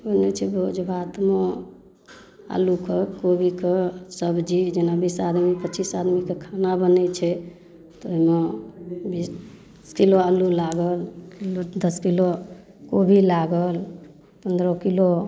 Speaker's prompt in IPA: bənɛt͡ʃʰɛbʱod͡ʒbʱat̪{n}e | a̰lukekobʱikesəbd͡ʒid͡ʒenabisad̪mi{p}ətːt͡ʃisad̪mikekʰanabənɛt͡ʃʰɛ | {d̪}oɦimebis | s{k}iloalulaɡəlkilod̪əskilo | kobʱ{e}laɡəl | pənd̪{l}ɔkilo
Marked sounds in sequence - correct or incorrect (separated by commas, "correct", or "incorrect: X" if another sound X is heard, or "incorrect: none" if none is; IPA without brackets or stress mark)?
incorrect: m, correct, incorrect: t̪, correct, incorrect: i, incorrect: ɾ